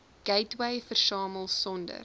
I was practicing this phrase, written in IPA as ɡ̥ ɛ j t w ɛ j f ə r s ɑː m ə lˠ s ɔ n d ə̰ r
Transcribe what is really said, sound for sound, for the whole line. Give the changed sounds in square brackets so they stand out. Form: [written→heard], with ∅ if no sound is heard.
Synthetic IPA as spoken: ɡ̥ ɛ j t w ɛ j f ə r s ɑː m ə lˠ s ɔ n d ə̰ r